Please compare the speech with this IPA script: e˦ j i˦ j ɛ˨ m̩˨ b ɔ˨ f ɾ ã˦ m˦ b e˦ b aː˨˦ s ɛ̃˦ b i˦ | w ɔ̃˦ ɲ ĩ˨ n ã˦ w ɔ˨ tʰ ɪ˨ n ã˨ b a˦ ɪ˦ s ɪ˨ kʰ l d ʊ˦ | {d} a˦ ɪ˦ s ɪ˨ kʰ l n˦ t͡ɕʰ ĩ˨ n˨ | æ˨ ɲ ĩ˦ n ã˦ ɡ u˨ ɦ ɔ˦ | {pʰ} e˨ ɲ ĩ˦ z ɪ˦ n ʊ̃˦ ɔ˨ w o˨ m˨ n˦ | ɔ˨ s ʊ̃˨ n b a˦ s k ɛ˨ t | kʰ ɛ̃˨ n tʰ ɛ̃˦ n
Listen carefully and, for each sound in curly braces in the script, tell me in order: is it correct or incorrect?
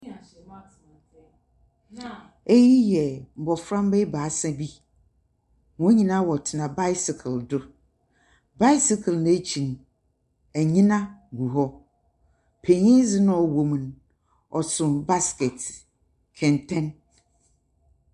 incorrect: b, correct

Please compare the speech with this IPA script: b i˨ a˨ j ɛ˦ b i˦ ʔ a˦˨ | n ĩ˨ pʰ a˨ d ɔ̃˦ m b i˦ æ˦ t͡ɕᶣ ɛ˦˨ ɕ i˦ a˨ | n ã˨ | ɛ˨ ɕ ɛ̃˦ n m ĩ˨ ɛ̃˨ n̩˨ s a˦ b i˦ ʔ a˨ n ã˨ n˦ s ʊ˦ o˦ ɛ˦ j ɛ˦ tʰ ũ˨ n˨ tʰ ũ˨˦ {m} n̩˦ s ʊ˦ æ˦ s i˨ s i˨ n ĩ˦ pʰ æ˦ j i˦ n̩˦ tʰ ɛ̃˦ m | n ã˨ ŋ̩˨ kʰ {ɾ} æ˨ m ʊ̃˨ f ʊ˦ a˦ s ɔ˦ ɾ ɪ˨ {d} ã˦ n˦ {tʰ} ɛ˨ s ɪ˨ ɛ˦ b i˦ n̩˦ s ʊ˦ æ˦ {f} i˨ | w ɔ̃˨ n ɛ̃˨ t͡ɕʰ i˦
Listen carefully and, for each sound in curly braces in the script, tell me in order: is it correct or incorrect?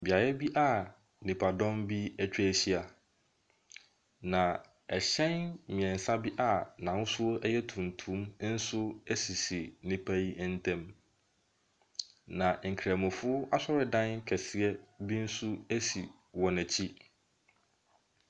correct, correct, correct, incorrect: kʰ, incorrect: s

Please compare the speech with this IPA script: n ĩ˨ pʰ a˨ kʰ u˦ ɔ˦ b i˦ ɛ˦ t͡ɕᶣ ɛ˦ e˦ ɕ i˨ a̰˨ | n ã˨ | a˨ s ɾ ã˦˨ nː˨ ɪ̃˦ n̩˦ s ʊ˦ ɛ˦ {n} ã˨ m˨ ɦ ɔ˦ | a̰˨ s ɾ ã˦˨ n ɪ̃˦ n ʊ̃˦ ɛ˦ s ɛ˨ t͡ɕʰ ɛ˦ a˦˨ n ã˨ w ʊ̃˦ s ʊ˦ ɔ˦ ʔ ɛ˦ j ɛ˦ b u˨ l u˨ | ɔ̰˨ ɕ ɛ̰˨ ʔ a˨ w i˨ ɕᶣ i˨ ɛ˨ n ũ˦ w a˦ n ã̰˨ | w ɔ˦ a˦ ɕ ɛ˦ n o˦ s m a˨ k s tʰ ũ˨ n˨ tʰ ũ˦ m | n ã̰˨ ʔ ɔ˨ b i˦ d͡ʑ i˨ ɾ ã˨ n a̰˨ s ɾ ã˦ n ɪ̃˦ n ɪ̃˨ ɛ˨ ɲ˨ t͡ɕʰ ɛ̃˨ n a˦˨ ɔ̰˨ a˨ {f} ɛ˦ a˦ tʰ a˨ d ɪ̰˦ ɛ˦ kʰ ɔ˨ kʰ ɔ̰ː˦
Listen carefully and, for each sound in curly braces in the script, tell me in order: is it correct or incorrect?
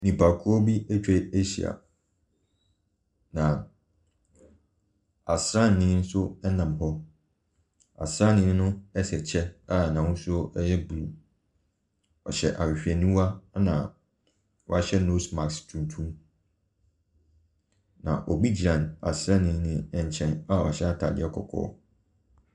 correct, incorrect: ɕ

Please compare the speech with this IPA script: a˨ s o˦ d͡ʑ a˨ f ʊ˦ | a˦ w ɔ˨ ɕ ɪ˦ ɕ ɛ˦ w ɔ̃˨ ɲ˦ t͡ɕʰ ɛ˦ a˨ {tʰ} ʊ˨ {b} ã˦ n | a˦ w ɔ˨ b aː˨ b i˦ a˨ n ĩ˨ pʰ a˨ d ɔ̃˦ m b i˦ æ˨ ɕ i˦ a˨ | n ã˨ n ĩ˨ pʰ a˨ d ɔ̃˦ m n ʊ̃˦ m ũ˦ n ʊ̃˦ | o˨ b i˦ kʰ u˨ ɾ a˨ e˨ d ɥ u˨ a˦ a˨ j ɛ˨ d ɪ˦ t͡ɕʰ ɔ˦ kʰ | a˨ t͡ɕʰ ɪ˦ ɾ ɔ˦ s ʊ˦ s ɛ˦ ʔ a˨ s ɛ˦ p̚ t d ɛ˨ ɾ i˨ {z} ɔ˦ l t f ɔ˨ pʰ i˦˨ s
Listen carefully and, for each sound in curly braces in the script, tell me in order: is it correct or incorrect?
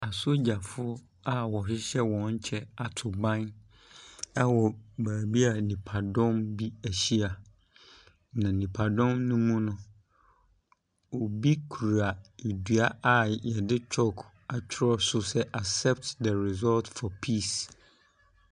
correct, correct, correct

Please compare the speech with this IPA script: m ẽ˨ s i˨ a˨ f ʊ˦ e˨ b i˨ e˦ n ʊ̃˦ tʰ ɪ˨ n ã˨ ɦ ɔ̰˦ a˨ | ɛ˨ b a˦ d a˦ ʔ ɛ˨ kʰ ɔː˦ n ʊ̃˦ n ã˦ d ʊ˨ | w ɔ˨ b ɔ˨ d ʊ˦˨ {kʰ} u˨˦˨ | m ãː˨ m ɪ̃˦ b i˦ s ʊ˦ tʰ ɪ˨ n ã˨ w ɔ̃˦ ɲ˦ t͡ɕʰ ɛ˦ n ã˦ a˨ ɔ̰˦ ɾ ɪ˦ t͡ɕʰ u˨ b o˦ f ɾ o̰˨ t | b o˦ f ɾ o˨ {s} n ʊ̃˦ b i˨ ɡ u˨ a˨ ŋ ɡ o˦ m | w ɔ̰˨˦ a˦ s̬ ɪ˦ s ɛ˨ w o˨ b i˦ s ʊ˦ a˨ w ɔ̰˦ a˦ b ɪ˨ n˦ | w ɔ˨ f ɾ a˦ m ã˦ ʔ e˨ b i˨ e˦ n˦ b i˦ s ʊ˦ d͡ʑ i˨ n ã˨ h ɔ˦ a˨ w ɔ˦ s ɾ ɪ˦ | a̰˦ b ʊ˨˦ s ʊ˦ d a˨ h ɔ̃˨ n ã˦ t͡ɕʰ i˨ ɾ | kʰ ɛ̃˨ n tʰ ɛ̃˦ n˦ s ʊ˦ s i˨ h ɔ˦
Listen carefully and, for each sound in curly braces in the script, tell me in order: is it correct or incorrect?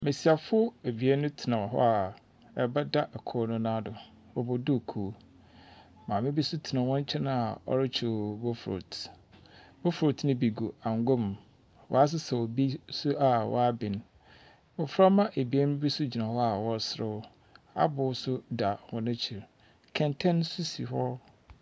correct, incorrect: t

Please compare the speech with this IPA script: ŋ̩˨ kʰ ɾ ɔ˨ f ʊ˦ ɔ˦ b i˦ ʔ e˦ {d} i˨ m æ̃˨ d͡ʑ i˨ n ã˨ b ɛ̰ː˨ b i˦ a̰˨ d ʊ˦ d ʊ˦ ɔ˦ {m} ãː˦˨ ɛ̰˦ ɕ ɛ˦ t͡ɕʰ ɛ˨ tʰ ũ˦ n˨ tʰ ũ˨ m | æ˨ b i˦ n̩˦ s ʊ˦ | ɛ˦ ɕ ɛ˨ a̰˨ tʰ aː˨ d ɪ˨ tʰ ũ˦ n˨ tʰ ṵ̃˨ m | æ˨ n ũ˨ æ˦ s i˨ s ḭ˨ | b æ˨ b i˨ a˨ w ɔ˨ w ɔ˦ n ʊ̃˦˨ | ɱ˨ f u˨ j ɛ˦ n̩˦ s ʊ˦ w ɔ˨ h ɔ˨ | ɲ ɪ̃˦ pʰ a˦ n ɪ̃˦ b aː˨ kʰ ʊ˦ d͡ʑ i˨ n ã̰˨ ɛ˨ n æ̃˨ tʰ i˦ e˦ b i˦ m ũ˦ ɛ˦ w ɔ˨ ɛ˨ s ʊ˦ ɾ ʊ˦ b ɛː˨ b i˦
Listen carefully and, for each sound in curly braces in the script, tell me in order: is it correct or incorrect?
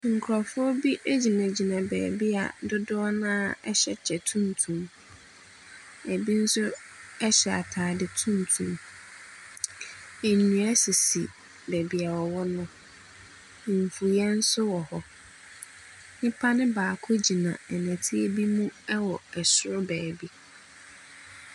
incorrect: d͡ʑ, incorrect: n

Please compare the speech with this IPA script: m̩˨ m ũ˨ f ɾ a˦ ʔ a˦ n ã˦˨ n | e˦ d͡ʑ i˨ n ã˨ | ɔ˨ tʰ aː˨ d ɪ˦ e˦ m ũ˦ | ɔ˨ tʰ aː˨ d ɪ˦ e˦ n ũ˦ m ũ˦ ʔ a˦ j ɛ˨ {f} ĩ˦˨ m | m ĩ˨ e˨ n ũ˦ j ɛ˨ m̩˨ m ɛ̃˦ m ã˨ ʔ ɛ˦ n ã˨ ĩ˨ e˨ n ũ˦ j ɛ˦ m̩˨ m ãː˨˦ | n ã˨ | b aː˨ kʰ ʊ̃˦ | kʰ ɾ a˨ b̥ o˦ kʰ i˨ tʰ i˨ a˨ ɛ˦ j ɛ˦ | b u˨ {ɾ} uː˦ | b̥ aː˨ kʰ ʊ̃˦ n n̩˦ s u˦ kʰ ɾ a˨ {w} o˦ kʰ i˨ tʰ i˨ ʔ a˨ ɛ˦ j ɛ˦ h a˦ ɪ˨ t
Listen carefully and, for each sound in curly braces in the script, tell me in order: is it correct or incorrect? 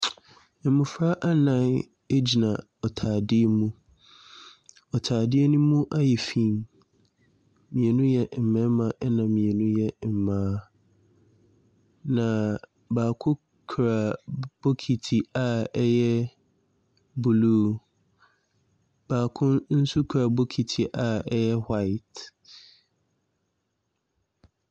correct, incorrect: l, incorrect: b

